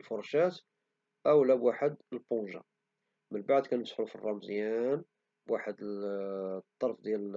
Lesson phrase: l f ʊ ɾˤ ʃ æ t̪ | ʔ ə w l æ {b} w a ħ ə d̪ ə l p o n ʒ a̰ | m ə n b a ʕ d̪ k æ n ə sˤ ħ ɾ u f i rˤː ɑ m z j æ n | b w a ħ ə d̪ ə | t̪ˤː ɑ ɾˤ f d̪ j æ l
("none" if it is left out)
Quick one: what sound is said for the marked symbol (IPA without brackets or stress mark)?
b